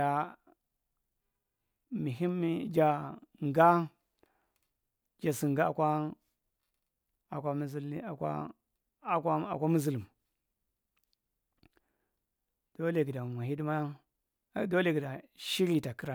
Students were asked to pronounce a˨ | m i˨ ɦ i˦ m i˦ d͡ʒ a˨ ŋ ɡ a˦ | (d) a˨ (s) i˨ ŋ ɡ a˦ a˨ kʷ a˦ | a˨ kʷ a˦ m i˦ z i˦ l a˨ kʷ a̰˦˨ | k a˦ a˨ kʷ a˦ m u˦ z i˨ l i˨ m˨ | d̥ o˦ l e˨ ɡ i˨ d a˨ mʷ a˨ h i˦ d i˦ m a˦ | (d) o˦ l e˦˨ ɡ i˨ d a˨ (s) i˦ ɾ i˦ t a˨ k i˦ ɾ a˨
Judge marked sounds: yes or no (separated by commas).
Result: no, yes, yes, no